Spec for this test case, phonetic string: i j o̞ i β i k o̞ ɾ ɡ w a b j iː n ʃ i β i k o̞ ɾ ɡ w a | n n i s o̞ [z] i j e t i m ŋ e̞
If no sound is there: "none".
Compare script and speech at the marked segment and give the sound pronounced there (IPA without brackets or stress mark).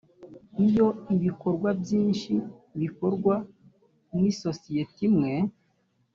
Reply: s